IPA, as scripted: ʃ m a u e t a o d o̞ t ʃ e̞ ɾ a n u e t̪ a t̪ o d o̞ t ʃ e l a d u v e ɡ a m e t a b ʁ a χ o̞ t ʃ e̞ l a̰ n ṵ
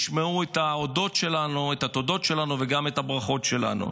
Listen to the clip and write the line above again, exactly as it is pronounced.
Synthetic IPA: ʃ m e u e t a o d o̞ t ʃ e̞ l a n u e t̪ a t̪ o d o̞ t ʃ e l a n u v e ɡ a m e t a b ʁ a χ o̞ t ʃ e̞ l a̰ n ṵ